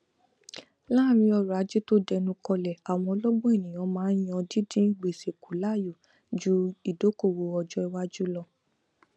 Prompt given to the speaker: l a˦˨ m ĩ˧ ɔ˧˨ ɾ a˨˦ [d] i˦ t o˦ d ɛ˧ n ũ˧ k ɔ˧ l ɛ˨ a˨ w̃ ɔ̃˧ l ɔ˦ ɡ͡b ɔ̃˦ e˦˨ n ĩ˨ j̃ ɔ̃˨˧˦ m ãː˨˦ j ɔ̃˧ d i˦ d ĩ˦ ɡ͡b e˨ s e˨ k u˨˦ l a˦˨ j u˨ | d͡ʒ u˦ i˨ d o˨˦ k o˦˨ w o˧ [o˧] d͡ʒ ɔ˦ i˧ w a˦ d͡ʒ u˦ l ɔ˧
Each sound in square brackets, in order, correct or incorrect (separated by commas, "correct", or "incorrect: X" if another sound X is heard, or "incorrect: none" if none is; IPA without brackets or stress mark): incorrect: d͡ʒ, incorrect: ɔ˧